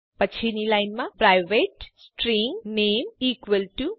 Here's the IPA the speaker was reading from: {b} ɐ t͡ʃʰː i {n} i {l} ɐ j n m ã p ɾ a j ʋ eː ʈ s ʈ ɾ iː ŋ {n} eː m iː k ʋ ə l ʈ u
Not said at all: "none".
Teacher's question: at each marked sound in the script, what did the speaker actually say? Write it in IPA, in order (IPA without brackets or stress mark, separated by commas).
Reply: p, n, l, n